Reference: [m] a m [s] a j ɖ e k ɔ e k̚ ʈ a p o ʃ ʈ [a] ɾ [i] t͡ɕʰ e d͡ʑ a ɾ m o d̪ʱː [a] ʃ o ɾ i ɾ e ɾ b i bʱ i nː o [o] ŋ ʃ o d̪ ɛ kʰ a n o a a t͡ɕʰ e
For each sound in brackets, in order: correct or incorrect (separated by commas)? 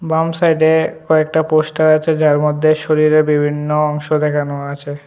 incorrect, correct, correct, incorrect, incorrect, incorrect